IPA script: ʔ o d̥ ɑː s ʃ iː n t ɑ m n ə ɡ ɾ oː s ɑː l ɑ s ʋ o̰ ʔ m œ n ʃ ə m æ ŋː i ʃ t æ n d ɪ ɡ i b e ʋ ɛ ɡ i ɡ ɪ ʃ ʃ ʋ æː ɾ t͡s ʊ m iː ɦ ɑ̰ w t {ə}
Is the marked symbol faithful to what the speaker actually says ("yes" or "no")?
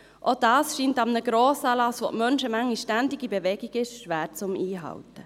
yes